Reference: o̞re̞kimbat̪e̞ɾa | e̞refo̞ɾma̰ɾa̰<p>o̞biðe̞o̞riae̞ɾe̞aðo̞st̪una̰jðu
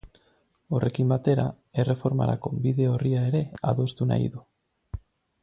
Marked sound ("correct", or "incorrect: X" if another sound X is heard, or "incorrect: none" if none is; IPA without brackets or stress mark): incorrect: k